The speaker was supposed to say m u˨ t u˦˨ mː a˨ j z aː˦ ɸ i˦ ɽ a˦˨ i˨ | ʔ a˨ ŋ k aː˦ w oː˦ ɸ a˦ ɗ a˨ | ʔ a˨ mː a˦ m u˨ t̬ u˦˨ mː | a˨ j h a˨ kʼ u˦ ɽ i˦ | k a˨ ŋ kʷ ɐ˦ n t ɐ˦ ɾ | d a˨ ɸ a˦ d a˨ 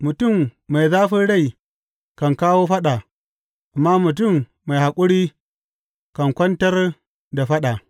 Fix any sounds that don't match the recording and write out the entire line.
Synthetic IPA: m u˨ t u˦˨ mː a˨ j z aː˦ ɸ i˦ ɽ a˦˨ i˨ | k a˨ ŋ k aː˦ w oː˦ ɸ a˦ ɗ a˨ | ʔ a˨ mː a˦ m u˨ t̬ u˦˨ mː | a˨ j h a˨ kʼ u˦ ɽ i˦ | k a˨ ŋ kʷ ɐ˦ n t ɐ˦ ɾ | d a˨ ɸ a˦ ɗ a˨

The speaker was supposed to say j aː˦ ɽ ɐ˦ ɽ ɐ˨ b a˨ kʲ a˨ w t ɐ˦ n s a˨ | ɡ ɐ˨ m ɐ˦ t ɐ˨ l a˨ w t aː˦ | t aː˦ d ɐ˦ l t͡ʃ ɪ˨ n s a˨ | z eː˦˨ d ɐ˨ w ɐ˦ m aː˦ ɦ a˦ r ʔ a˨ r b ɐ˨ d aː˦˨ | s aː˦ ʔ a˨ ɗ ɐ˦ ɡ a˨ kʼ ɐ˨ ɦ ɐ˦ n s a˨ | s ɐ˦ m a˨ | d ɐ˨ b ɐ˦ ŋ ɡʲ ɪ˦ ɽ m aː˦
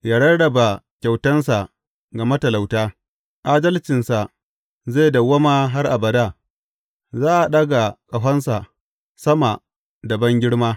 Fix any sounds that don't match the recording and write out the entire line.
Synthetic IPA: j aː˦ ɽ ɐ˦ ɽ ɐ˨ b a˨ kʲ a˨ w t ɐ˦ n s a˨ | ɡ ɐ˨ m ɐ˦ t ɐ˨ l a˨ w t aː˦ | ʔ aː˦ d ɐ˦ l t͡ʃ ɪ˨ n s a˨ | z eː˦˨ d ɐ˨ w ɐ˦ m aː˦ ɦ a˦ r ʔ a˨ b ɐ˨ d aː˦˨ | z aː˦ ʔ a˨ ɗ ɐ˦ ɡ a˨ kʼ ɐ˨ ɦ ɐ˦ n s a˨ | s ɐ˦ m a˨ | d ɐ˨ b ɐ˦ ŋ ɡʲ ɪ˦ ɽ m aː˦

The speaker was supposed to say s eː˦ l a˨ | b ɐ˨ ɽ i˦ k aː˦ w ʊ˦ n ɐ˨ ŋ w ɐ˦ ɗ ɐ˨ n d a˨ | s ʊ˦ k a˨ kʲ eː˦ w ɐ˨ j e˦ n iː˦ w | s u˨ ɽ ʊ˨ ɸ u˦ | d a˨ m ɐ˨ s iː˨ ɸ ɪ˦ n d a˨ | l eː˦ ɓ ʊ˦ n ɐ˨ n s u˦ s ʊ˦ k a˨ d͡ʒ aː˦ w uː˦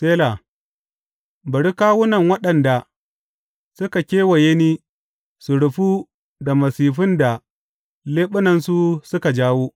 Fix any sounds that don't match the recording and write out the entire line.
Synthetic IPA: s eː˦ l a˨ | b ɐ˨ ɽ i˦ k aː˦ w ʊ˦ n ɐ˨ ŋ w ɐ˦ ɗ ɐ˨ n d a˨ | s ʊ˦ k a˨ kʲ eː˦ w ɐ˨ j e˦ n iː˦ | s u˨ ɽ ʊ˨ ɸ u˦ | d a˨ m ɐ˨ s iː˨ ɸ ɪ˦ n d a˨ | l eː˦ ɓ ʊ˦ n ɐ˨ n s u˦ s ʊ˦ k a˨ d͡ʒ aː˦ w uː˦

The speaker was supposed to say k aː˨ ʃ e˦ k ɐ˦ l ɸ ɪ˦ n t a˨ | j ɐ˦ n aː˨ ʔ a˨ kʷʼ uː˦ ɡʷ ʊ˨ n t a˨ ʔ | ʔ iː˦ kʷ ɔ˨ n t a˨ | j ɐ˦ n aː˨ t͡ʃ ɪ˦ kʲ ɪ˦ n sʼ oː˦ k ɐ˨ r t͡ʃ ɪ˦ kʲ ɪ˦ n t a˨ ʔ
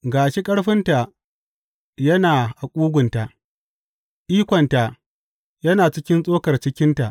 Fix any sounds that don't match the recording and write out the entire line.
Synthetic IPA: ɡ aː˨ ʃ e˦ kʼ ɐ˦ ɽ ɸ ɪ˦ n t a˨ | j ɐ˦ n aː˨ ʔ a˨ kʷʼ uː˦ ɡʷ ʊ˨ n t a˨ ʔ | ʔ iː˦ kʷ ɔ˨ n t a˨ | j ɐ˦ n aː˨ t͡ʃ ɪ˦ kʲ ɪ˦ n sʼ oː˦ k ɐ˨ r t͡ʃ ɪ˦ kʲ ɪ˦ n t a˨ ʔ

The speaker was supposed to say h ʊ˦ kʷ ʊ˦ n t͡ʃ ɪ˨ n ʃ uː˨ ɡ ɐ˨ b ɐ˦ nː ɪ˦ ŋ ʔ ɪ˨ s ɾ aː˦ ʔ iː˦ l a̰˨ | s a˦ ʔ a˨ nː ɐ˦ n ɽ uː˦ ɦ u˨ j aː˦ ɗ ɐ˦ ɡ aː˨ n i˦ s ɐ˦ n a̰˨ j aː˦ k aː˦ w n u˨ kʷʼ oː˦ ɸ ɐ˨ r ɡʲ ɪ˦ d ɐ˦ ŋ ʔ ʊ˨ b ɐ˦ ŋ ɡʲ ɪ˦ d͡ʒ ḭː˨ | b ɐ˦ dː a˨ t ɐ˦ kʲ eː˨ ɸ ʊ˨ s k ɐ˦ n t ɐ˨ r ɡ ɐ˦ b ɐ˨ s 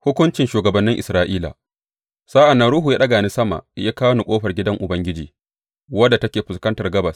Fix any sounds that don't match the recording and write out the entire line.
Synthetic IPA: h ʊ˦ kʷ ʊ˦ n t͡ʃ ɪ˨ n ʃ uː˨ ɡ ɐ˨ b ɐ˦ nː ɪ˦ ŋ ʔ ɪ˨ s ɾ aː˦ ʔ iː˦ l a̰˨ | s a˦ ʔ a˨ nː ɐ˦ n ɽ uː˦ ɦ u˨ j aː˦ ɗ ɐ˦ ɡ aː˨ n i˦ s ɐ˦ m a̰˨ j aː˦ k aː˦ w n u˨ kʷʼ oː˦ ɸ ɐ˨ r ɡʲ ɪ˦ d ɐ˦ ŋ ʔ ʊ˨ b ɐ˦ ŋ ɡʲ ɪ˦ d͡ʒ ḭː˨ | w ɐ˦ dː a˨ t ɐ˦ kʲ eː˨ ɸ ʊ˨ s k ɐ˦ n t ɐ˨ r ɡ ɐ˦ b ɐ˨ s

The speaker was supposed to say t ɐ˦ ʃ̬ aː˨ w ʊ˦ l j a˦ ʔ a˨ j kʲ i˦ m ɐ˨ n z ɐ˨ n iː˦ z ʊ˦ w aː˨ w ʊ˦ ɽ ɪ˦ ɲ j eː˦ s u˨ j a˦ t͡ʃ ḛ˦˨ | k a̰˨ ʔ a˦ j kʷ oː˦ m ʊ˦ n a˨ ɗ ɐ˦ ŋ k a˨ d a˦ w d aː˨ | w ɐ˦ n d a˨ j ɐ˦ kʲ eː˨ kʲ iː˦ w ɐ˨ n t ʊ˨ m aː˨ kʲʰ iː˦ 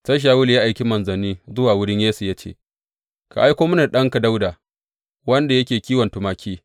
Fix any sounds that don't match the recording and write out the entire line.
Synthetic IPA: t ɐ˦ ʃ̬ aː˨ w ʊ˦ l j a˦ ʔ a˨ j kʲ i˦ m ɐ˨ n z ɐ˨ n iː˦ z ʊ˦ w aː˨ w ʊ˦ ɽ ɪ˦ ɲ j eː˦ s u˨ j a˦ t͡ʃ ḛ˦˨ | k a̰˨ ʔ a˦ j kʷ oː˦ m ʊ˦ n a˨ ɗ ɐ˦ ŋ k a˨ d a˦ w d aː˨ | w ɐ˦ n d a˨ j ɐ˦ kʲ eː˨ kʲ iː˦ w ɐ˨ n t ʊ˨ m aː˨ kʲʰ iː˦

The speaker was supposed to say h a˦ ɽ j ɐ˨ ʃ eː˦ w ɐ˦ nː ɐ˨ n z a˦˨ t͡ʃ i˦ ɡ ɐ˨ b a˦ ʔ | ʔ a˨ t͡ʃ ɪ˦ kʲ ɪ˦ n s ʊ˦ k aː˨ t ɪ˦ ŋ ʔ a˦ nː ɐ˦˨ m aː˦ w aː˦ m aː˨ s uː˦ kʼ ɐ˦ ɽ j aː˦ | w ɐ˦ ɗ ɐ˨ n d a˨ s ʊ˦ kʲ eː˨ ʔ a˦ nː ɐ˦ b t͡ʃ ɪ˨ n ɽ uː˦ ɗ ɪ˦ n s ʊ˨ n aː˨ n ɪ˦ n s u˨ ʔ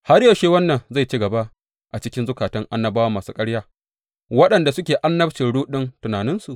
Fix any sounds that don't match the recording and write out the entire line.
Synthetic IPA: h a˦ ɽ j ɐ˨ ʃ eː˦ w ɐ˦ nː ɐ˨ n z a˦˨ t͡ʃ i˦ ɡ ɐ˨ b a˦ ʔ | ʔ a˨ t͡ʃ ɪ˦ kʲ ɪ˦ n z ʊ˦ k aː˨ t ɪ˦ ŋ ʔ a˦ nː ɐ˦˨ b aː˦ w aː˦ m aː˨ s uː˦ kʼ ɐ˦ ɽ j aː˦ | w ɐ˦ ɗ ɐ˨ n d a˨ s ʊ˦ kʲ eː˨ ʔ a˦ nː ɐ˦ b t͡ʃ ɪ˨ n ɽ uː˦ ɗ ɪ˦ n t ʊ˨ n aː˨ n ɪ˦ n s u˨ ʔ

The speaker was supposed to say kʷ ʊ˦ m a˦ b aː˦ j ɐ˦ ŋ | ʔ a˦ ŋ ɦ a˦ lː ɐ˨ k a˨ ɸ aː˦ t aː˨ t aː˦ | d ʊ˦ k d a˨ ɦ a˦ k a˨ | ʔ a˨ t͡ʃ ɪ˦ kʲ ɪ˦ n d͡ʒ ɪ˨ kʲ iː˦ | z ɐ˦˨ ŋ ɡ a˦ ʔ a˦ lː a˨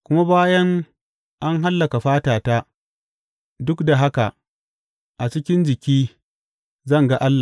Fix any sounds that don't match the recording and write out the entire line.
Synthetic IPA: kʷ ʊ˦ m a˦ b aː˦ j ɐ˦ ŋ | ʔ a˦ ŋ ɦ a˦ lː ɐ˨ k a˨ ɸ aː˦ t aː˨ t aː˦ | d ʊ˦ k d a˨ ɦ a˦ k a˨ | ʔ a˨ t͡ʃ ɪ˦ kʲ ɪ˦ n d͡ʒ ɪ˨ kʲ iː˦ | z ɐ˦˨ ŋ ɡ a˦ ʔ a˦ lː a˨

